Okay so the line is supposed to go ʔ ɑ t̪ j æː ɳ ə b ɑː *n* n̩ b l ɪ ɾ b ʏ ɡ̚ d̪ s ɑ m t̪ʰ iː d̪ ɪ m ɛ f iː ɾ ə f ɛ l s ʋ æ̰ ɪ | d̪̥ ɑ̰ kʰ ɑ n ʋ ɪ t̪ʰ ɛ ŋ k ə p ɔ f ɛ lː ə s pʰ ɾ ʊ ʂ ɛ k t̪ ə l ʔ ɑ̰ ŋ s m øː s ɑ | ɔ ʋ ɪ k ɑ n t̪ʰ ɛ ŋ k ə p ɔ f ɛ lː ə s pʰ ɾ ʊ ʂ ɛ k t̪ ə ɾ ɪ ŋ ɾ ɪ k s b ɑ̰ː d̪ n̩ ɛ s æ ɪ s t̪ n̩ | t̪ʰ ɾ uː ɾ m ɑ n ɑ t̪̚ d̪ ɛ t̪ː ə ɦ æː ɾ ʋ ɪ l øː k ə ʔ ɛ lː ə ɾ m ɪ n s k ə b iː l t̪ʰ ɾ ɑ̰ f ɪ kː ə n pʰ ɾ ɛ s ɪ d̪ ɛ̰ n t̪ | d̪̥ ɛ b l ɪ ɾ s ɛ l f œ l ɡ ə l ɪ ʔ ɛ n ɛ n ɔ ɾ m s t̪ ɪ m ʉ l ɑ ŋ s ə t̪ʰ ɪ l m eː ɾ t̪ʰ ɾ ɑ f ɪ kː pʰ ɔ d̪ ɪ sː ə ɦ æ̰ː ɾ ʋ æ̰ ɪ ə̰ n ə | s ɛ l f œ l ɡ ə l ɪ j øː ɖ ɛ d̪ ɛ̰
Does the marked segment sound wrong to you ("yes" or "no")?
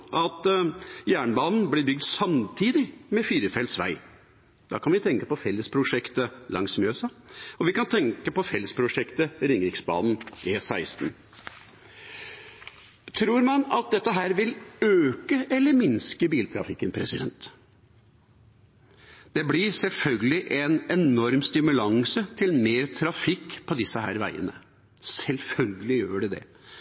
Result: no